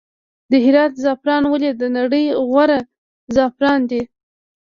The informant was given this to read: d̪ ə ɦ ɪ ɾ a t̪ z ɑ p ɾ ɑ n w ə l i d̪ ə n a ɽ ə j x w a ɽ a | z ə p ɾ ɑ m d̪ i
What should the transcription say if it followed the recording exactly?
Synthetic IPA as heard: d̪ ə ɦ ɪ ɾ ɑ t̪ z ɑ p ɾ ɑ n w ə l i d̪ ə n a ɽ ə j ɣ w a ɾ a | z ɑ p ɾ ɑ n d̪ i